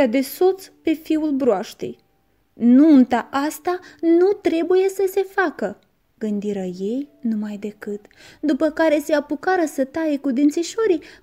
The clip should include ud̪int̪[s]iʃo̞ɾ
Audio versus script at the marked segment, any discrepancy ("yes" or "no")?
no